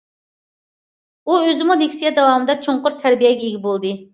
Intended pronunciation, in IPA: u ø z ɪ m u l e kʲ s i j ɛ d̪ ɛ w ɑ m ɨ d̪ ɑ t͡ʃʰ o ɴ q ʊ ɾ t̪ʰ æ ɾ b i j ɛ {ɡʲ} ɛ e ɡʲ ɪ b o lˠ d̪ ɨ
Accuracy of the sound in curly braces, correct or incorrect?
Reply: correct